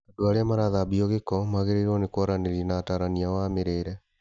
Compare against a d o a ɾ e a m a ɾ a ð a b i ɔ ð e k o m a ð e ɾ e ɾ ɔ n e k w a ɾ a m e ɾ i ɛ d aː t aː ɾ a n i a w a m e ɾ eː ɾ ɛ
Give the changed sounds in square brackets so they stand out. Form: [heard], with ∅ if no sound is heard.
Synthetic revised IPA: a d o a ɾ e a m a ɾ a ð a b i ɔ [ɣ] e k [ɔ] m a [ɣ] e ɾ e ɾ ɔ n e k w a ɾ a [n] e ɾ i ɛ [n] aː t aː ɾ a n i a w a m e ɾ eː ɾ ɛ